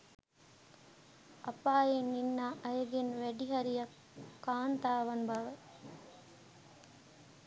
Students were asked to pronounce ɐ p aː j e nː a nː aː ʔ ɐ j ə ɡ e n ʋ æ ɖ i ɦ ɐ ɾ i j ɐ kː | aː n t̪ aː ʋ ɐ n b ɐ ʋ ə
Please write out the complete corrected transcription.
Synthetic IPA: ɐ p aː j e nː i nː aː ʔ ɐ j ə ɡ e n ʋ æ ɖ i ɦ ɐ ɾ i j ɐ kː | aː n t̪ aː ʋ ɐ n b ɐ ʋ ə